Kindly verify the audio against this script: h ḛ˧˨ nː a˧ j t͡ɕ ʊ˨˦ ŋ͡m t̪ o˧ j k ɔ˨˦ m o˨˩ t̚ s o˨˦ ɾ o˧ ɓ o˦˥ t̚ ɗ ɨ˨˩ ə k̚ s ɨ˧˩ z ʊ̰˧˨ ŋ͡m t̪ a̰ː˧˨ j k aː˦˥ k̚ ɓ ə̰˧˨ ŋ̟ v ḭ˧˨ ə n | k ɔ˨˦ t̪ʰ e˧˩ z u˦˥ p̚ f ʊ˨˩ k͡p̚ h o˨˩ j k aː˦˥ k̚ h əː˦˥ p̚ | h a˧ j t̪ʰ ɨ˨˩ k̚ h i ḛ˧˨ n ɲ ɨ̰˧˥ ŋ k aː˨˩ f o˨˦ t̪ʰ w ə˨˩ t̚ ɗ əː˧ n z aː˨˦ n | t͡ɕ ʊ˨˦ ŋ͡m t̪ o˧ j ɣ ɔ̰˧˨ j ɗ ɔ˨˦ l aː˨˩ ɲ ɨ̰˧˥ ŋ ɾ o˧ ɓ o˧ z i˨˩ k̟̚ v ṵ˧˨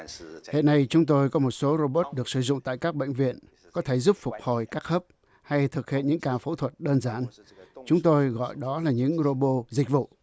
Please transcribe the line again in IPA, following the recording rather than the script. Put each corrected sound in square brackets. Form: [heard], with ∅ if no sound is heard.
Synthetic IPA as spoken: h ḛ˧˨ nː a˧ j t͡ɕ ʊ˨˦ ŋ͡m t̪ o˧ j k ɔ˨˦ m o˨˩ t̚ s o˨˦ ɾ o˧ ɓ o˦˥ t̚ ɗ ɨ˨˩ ə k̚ s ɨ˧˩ z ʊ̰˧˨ ŋ͡m t̪ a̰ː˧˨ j k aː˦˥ k̚ ɓ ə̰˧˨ ŋ̟ v ḭ˧˨ ə n | k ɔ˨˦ t̪ʰ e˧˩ z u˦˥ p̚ f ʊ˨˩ k͡p̚ h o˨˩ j k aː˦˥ k̚ h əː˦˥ p̚ | h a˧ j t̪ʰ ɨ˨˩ k̚ h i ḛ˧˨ n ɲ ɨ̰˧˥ ŋ k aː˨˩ f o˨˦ t̪ʰ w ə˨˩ t̚ ɗ əː˧ n z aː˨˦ n | t͡ɕ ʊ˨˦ ŋ͡m t̪ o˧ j ɣ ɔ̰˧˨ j ɗ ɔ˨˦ l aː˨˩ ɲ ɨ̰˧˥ ŋ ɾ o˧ ɓ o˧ z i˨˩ k̟̚ v ṵ˧˨